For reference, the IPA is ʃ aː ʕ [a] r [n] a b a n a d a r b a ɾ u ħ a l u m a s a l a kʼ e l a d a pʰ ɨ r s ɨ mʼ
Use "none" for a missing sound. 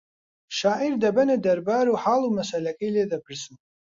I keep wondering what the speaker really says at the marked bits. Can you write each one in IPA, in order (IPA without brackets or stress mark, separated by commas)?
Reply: i, d